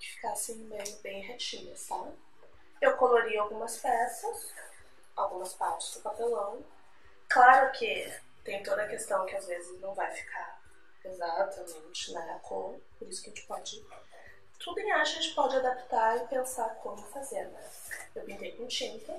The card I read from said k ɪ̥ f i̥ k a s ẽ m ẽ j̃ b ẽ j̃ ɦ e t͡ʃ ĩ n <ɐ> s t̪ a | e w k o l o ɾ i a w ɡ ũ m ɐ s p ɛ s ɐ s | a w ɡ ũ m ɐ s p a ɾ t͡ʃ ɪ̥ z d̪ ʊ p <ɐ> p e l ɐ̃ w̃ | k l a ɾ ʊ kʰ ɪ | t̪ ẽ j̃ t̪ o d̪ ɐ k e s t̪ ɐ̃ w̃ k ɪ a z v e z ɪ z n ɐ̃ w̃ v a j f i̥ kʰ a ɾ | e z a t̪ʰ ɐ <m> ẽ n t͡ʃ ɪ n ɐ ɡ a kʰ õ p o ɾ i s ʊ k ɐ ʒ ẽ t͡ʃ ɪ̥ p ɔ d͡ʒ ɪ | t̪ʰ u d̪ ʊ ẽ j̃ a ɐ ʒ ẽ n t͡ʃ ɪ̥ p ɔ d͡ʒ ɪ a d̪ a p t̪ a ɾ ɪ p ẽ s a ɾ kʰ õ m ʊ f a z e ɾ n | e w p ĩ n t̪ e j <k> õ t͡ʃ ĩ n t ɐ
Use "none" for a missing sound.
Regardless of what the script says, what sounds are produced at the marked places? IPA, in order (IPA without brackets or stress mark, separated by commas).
ɐ, a, m, k